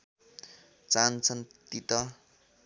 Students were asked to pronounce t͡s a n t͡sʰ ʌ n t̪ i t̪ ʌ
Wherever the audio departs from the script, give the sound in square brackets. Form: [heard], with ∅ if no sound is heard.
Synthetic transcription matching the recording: t͡s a n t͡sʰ ʌ n t̪ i t̪ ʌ